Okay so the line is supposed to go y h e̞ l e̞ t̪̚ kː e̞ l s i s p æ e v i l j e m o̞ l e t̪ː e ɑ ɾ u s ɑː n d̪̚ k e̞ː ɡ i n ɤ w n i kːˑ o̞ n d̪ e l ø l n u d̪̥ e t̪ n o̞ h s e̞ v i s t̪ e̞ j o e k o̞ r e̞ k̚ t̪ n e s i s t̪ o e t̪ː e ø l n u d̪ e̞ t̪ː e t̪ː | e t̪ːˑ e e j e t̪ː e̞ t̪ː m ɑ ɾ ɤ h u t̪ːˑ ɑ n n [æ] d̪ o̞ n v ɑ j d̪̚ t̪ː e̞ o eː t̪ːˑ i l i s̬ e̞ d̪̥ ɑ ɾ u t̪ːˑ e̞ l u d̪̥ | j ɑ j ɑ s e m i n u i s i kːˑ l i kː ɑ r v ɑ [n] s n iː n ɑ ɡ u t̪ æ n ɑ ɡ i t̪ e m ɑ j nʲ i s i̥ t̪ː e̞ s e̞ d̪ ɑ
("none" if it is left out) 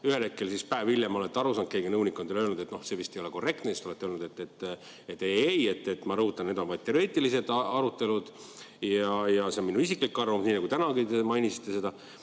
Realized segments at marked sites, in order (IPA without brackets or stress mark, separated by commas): e, m